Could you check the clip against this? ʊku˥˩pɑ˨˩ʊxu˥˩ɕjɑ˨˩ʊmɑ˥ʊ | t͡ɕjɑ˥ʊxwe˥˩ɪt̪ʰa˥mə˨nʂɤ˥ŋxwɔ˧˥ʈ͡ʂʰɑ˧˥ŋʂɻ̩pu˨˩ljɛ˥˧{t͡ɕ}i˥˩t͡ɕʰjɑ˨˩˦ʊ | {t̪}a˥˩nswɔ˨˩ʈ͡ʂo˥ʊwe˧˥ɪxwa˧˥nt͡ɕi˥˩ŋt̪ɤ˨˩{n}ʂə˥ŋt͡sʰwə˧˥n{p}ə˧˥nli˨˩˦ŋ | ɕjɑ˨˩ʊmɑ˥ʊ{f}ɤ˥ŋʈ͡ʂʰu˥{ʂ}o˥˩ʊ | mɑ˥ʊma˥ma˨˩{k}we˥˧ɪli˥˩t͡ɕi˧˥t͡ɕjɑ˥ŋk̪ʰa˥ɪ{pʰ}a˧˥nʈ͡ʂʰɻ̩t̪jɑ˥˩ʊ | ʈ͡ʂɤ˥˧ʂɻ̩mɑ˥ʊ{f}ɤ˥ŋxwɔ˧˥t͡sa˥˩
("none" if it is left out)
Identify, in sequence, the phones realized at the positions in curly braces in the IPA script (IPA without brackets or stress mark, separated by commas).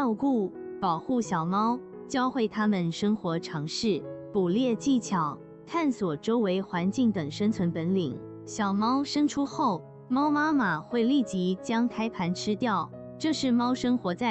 t͡ɕ, t̪ʰ, ŋ, p, ʂ, x, x, pʰ, ʂ